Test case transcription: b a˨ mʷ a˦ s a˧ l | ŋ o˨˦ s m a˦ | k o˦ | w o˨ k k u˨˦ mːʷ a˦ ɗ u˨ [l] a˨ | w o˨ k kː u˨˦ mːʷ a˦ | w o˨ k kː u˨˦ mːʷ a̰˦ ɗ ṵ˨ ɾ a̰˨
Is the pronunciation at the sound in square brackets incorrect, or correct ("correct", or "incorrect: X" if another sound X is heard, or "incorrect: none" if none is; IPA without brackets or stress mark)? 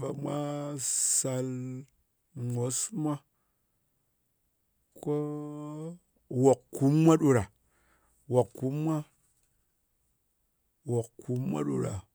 incorrect: ɾ